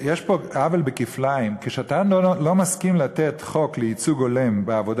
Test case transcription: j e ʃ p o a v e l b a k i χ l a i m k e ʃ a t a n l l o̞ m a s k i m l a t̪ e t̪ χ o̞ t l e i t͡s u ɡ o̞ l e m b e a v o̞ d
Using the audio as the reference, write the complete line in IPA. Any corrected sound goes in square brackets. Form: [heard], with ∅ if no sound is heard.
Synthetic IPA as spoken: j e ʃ p o a v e l b [e] k i [f] l a i m k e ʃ a t a n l l o̞ m a s k i m l a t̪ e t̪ χ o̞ [k] l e i t͡s u ɡ o̞ l e m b e a v o̞ d